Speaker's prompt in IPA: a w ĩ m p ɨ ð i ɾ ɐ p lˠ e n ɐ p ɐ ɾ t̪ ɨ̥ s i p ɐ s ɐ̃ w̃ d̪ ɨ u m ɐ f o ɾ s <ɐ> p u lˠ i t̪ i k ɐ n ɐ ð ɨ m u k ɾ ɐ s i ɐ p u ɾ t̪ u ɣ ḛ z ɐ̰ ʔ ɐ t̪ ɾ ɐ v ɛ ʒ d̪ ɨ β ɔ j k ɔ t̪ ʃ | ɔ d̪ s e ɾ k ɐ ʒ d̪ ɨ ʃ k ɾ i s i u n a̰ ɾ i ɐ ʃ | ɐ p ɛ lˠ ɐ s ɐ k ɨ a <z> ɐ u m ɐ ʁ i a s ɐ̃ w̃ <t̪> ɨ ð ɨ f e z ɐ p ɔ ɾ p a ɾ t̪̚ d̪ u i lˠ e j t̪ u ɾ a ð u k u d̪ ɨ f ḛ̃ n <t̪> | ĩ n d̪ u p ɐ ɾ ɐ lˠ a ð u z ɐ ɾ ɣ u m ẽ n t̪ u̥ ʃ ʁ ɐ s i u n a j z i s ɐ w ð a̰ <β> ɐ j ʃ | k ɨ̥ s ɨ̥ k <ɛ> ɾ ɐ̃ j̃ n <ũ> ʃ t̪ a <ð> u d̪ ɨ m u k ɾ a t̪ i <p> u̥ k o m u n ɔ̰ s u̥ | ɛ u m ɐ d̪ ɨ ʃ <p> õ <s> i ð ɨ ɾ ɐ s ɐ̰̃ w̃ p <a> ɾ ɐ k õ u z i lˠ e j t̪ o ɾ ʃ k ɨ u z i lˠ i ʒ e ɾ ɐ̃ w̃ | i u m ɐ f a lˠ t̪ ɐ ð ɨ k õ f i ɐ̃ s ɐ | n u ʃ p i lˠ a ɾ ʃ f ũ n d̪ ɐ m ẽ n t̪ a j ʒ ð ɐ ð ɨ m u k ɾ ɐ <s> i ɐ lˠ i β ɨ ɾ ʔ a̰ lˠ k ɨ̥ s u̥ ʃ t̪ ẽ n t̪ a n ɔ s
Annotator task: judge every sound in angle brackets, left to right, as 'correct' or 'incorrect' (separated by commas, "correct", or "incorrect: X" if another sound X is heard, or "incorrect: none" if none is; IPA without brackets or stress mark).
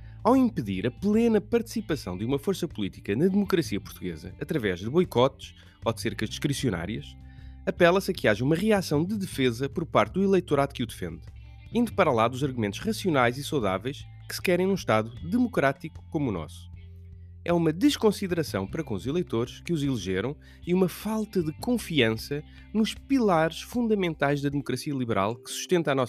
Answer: correct, incorrect: ʒ, incorrect: d̪, incorrect: d̪, incorrect: v, correct, correct, correct, incorrect: k, incorrect: k, correct, incorrect: ɐ, correct